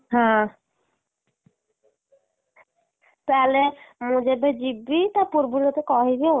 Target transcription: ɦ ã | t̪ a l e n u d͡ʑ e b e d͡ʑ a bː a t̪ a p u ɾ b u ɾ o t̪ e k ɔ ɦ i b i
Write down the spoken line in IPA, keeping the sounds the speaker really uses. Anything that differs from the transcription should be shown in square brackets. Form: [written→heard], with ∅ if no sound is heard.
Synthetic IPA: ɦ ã | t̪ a l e [n→m] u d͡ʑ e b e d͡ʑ [a→i] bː [a→i] t̪ a p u ɾ b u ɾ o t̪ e k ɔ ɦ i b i